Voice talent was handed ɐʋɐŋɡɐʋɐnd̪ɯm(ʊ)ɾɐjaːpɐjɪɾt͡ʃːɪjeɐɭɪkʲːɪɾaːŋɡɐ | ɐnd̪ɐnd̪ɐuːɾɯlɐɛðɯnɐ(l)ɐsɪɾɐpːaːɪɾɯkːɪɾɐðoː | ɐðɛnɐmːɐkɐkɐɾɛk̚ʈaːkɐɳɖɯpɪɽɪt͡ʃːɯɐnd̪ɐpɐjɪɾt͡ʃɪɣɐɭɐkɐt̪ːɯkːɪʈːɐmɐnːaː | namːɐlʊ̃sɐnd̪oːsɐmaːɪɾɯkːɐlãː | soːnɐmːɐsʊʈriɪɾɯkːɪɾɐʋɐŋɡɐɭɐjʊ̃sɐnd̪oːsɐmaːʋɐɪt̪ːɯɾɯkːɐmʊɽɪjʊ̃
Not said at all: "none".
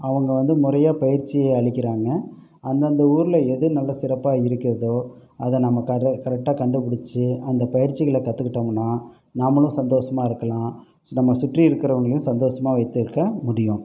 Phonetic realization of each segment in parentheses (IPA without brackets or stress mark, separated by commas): ʊ, lː